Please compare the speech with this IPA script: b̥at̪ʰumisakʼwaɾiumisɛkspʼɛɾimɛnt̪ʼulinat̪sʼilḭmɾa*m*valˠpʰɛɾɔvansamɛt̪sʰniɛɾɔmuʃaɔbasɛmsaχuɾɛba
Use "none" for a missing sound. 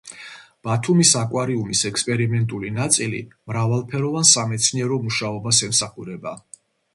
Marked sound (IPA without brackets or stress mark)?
none